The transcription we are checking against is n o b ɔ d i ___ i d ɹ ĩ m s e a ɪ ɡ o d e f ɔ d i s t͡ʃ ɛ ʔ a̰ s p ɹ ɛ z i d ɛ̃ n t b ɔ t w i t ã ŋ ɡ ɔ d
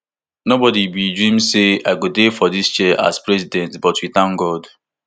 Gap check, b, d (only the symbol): b